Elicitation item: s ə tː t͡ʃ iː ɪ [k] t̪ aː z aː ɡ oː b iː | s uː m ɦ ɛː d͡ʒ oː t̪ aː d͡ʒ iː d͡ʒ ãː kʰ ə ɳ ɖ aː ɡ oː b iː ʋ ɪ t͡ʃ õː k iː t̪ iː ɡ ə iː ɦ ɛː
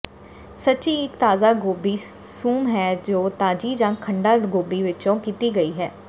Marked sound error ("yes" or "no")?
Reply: no